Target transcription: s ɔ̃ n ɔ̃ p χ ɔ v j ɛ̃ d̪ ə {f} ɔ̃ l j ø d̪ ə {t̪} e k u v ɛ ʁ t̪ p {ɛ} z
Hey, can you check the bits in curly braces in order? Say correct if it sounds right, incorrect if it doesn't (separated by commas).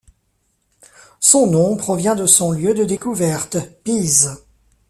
incorrect, incorrect, incorrect